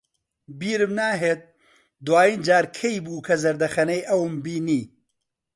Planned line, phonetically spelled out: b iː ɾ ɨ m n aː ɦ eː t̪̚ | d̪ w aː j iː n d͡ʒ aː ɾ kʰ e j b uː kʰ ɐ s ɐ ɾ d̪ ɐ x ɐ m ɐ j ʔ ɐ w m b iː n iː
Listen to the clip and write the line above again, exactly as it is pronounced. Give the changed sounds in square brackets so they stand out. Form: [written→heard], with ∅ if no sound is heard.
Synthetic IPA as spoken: b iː ɾ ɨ m n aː ɦ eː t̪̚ | d̪ w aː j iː n d͡ʒ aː ɾ kʰ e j b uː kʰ ɐ [s→z] ɐ ɾ d̪ ɐ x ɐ [m→n] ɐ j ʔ ɐ w m b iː n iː